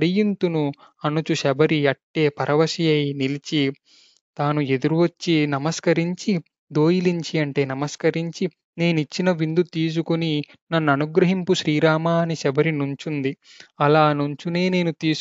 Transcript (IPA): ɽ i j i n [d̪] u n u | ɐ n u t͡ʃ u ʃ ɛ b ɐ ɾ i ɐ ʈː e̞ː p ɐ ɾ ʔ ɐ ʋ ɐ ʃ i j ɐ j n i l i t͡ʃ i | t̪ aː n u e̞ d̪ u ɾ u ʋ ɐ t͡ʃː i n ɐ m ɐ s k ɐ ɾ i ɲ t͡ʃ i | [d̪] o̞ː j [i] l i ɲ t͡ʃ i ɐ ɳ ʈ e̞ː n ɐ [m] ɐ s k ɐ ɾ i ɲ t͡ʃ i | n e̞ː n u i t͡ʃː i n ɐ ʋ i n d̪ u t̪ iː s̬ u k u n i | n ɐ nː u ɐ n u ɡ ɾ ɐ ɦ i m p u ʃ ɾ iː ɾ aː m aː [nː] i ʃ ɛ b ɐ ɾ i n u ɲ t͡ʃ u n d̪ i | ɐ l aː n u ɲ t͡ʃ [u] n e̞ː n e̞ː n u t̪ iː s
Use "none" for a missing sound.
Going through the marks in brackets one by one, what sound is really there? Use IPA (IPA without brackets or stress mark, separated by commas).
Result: t̪, d̪, i, m, n, u